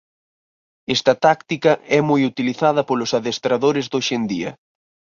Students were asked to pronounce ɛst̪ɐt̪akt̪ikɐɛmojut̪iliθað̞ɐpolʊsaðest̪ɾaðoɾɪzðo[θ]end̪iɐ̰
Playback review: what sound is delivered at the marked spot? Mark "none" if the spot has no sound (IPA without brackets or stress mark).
ʃ